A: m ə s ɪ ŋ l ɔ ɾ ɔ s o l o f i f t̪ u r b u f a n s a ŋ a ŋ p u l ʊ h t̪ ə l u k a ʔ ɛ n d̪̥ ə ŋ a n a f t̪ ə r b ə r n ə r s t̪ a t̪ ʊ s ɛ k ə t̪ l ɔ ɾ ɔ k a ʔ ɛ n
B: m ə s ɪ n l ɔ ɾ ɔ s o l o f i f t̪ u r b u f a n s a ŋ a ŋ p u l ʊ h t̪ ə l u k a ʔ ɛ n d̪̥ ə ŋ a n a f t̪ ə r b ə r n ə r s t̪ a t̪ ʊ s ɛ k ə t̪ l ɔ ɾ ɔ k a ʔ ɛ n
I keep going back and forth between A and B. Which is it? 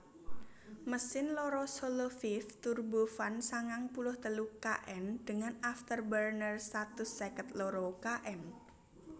B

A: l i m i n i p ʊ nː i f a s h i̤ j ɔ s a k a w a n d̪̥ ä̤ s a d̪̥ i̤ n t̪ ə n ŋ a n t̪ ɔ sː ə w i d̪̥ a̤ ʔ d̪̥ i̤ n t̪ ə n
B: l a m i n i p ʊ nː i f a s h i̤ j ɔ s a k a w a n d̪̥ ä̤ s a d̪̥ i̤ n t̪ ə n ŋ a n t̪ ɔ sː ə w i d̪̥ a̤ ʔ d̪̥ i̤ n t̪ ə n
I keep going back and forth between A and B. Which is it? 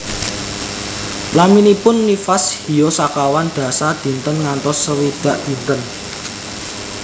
B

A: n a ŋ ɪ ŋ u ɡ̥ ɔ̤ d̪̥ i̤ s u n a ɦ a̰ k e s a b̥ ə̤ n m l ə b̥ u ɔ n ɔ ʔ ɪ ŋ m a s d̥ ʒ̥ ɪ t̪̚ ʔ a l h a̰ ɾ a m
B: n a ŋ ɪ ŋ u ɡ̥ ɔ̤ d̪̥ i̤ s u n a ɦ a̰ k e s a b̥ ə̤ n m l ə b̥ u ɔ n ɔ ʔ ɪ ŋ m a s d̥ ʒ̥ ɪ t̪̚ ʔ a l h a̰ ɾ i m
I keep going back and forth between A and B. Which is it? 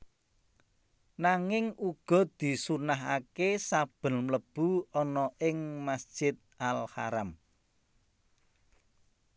A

